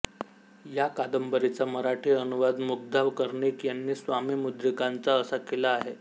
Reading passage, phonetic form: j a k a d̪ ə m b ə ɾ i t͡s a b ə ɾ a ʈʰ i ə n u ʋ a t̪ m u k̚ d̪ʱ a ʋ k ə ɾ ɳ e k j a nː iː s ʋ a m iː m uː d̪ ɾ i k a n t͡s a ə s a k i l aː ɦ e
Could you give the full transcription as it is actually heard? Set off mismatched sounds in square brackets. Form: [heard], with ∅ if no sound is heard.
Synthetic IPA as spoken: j a k a d̪ ə m b ə ɾ i t͡s a [m] ə ɾ a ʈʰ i ə n u ʋ a [d̪] m u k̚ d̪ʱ a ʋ k ə ɾ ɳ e k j a nː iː s ʋ a m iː m [u] d̪ ɾ i k a n t͡s a ə s a k [e] l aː ɦ e